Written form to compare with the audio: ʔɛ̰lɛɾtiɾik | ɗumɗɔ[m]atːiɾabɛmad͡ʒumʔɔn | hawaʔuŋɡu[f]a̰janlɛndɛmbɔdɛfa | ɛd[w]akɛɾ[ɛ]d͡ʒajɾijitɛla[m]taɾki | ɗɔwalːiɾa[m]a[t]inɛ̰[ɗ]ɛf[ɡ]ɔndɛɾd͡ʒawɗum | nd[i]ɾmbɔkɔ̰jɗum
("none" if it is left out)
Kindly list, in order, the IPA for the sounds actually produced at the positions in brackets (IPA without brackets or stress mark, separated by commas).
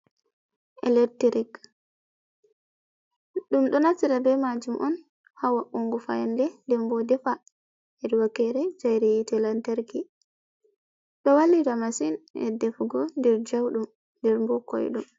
n, f, w, ɛ, n, m, s, d, ɡ, ɛ